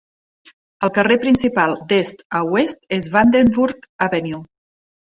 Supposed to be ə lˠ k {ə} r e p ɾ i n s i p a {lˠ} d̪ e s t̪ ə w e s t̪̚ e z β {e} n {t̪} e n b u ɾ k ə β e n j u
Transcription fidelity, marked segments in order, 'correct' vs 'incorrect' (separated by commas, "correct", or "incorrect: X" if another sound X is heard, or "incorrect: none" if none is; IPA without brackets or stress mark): correct, correct, incorrect: a, incorrect: d̪